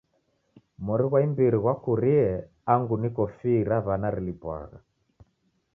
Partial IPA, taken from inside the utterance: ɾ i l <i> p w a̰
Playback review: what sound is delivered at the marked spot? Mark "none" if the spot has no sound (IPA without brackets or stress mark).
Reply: i